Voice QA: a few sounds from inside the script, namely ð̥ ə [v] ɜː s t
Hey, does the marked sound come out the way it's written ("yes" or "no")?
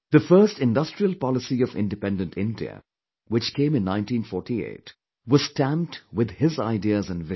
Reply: no